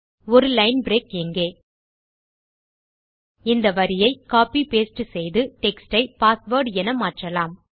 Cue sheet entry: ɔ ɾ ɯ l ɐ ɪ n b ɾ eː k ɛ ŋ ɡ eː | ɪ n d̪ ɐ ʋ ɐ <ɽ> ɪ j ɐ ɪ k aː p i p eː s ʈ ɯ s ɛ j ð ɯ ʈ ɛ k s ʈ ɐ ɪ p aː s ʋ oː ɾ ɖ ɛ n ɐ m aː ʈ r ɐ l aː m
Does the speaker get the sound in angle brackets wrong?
yes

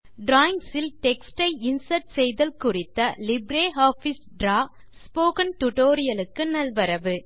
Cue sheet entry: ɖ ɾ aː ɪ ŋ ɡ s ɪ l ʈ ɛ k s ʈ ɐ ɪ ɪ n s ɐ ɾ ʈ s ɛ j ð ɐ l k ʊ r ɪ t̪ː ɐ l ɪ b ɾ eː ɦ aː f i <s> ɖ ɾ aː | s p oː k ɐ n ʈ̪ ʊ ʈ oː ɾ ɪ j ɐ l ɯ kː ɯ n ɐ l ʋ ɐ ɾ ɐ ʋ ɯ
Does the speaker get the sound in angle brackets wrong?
no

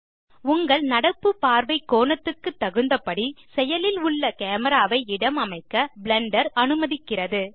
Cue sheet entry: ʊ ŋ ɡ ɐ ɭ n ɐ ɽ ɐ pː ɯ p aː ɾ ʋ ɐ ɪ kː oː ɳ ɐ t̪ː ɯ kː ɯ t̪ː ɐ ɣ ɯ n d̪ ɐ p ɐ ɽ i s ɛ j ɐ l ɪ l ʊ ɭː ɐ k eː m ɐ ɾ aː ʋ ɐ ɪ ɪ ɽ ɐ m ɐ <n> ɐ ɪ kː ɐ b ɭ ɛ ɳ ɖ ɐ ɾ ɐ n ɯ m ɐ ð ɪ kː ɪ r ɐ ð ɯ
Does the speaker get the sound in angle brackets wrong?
yes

